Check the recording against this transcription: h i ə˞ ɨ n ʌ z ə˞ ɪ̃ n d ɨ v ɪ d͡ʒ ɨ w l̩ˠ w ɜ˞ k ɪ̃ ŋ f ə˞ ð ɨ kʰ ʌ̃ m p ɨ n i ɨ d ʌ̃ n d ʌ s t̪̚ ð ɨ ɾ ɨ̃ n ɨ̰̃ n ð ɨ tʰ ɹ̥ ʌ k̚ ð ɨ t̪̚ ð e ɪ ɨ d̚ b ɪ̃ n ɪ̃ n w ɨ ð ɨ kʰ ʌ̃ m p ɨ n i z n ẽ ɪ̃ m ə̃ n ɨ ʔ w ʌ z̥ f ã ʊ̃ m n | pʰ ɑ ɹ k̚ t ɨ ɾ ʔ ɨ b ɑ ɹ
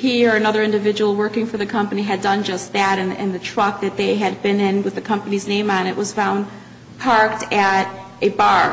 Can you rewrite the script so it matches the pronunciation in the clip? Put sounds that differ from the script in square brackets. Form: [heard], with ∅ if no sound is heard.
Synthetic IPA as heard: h i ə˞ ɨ n ʌ [ð] ə˞ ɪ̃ n d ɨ v ɪ d͡ʒ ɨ w l̩ˠ w ɜ˞ k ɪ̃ ŋ f ə˞ ð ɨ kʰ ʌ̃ m p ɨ n i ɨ d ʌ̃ n [d͡ʒ] ʌ s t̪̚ ð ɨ ɾ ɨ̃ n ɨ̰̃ n ð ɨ tʰ ɹ̥ ʌ k̚ ð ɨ t̪̚ ð e ɪ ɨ d̚ b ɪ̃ n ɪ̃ n w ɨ ð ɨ kʰ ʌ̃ m p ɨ n i z n ẽ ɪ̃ m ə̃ n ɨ ʔ w ʌ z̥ f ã ʊ̃ [∅] n | pʰ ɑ ɹ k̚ t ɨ ɾ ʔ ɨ b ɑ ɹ

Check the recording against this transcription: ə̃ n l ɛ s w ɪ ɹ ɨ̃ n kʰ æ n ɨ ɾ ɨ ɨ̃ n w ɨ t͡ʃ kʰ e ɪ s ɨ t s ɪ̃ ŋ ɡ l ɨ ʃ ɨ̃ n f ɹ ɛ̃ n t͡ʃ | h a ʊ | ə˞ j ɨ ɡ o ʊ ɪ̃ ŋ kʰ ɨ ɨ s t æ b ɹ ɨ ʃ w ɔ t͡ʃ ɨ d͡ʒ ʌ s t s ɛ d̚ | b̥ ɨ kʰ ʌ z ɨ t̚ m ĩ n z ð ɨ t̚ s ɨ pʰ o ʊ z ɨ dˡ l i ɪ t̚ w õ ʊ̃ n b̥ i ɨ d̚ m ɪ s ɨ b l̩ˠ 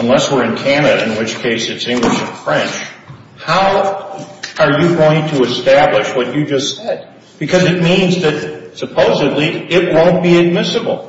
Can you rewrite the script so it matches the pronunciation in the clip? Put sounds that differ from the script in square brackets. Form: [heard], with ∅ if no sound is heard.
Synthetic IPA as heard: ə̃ n l ɛ s w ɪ ɹ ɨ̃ n kʰ æ n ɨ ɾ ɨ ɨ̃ n w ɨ t͡ʃ kʰ e ɪ s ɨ t s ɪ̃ ŋ ɡ l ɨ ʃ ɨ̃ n f ɹ ɛ̃ n t͡ʃ | h a ʊ | ə˞ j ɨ ɡ o ʊ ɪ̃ ŋ [tʰ] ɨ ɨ s t æ b [l] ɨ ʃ w [ʌ] t͡ʃ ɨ d͡ʒ ʌ s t s ɛ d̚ | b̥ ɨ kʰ ʌ z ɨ t̚ m ĩ n z ð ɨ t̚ s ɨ pʰ o ʊ z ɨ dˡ l i ɪ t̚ w õ ʊ̃ n b̥ i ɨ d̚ m ɪ s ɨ b l̩ˠ

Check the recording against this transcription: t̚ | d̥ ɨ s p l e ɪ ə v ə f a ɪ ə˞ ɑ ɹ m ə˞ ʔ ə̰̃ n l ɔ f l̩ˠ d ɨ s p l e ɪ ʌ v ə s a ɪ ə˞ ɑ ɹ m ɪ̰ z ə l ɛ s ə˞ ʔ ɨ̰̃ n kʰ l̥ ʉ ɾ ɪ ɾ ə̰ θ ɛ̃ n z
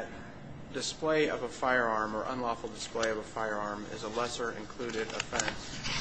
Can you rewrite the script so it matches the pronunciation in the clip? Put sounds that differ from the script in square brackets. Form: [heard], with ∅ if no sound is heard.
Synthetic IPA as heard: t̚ | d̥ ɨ s p l e ɪ [ʌ] v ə f a ɪ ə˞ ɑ ɹ m ə˞ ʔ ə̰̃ n l ɔ f l̩ˠ d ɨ s p l e ɪ ʌ v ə [f] a ɪ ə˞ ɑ ɹ m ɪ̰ z ə l ɛ s ə˞ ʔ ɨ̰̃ n kʰ l̥ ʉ ɾ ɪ ɾ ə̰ [f] ɛ̃ n [s]

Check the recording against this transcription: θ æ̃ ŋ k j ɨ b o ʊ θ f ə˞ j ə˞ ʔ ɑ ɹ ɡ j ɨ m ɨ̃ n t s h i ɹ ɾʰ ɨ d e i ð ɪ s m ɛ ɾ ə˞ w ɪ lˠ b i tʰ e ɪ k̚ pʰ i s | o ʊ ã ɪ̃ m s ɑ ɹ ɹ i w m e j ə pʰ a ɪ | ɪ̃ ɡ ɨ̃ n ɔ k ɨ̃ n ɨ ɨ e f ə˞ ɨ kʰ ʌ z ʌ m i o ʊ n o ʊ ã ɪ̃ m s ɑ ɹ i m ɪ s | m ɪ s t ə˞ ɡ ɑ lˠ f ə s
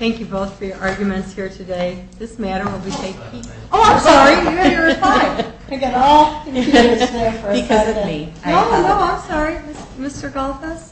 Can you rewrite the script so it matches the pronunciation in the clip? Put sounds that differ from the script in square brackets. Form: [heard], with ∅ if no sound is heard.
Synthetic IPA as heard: θ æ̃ ŋ k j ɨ b o ʊ θ f ə˞ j ə˞ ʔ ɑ ɹ ɡ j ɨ m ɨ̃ n t s h i ɹ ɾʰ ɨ d e [ɪ] ð ɪ s m [æ] ɾ ə˞ w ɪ lˠ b i tʰ e ɪ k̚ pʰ i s | o ʊ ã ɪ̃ m s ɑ ɹ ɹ i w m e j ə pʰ a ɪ | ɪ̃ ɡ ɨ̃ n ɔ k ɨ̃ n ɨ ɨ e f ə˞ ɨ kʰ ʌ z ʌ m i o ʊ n o ʊ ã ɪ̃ m s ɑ ɹ i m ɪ s | m ɪ s t ə˞ ɡ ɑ lˠ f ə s

